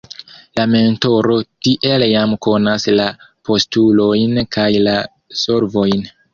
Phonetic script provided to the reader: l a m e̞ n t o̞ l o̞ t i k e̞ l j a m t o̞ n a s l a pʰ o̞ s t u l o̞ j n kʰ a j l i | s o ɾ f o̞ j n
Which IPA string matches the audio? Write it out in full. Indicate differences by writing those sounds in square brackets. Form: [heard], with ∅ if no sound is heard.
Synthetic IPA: l a m e̞ n t o̞ [ɾ] o̞ t i [ʔ] e̞ l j a m [k] o̞ n a s l a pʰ o̞ s t u l o̞ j n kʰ a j l [a] | s o ɾ [v] o̞ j n